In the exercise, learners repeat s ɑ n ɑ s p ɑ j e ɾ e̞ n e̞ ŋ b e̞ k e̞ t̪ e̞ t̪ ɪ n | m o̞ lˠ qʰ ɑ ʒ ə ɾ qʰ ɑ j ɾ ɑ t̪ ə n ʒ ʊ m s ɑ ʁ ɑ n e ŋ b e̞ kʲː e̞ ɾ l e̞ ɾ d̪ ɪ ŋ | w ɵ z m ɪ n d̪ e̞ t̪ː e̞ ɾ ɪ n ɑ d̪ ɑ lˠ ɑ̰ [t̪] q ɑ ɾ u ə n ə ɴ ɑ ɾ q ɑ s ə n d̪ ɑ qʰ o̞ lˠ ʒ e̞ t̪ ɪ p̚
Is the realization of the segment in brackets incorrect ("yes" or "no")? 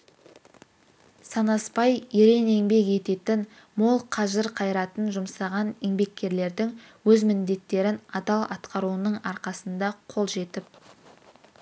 no